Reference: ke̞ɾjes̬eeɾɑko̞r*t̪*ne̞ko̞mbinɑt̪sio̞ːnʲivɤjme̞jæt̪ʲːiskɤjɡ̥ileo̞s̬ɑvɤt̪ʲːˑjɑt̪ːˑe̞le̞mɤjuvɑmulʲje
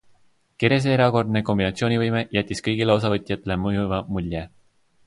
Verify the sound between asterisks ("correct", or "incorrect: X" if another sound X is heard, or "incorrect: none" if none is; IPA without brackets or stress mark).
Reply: incorrect: d̪